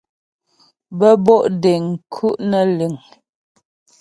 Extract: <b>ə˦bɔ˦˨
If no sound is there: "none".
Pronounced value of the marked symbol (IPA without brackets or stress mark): b